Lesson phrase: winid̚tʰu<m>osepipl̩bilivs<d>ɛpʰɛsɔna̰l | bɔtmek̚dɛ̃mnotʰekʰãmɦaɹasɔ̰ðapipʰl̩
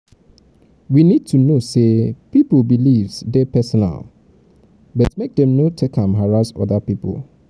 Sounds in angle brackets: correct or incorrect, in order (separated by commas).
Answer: incorrect, correct